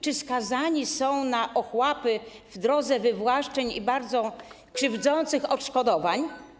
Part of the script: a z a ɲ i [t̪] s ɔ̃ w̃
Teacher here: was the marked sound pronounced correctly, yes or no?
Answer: no